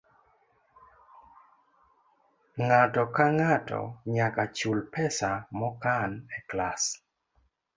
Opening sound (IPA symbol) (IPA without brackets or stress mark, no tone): ŋ